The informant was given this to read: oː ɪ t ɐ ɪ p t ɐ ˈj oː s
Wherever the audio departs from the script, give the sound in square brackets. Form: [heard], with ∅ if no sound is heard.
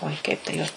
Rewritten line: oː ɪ [k] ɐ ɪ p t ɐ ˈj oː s